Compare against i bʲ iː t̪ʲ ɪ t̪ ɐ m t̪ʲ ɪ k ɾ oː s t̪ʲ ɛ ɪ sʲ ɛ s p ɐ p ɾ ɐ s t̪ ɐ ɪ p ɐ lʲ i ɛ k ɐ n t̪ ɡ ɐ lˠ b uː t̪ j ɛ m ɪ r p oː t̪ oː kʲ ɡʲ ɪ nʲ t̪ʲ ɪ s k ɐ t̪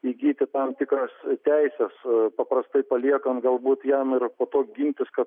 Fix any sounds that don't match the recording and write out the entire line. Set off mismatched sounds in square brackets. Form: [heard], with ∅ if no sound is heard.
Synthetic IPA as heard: i [ɡʲ] iː t̪ʲ ɪ t̪ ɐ m t̪ʲ ɪ k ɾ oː s t̪ʲ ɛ ɪ sʲ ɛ s p ɐ p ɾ ɐ s t̪ ɐ ɪ p ɐ lʲ i ɛ k ɐ n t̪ ɡ ɐ lˠ b uː t̪ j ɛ m ɪ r p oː t̪ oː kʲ ɡʲ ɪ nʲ t̪ʲ ɪ s k ɐ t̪